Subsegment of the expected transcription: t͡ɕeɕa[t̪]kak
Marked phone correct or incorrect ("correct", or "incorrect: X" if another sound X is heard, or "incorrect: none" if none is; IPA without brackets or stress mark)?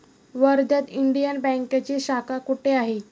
incorrect: none